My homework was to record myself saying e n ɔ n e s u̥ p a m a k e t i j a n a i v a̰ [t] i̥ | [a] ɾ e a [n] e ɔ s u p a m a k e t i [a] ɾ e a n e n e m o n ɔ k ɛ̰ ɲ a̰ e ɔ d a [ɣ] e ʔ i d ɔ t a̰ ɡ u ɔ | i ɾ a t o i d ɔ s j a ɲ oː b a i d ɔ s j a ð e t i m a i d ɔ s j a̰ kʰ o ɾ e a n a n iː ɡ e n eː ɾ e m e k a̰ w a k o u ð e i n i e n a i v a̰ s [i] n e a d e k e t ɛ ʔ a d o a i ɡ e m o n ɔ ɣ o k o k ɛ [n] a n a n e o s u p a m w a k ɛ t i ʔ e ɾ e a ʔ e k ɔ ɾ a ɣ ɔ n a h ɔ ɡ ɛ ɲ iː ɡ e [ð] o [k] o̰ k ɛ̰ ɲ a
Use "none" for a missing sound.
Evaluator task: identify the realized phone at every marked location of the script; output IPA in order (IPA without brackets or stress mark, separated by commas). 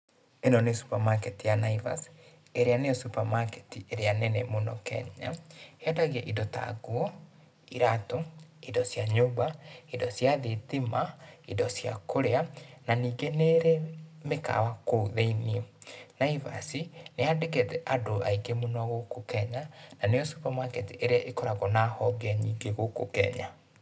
s, e, n, e, ɣ, i, ɲ, ɣ, k